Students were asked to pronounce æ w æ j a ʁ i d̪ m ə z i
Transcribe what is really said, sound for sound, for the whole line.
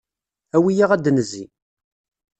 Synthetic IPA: æ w i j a ʁ æ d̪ n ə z i